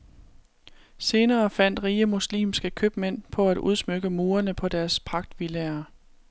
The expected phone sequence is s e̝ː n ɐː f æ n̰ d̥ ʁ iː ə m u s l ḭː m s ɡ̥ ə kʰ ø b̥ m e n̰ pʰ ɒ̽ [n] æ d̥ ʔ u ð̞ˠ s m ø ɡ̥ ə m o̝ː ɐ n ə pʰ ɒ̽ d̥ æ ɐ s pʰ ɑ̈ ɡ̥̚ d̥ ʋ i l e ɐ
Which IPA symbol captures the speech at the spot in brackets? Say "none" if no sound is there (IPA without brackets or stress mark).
none